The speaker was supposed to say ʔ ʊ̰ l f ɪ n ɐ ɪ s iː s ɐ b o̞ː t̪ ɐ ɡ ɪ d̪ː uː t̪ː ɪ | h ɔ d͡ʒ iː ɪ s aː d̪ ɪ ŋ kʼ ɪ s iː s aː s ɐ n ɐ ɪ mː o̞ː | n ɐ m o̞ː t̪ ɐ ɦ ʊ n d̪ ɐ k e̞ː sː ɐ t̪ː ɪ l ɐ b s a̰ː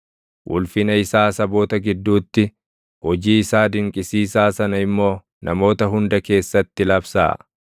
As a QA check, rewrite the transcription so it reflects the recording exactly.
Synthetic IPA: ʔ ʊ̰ l f ɪ n ɐ ɪ s aː s ɐ b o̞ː t̪ ɐ ɡ ɪ d̪ː uː t̪ː ɪ | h ɔ d͡ʒ iː ɪ s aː d̪ ɪ ŋ kʼ ɪ s iː s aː s ɐ n ɐ ɪ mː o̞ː | n ɐ m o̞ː t̪ ɐ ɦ ʊ n d̪ ɐ k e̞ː sː ɐ t̪ː ɪ l ɐ b s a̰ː